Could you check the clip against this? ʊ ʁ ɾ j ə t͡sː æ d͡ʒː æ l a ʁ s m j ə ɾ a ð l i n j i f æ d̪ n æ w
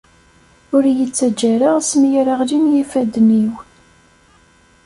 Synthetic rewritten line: ʊ ɾ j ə t͡sː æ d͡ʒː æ ɾ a ʁ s m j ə ɾ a ʁ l i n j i f æ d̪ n i w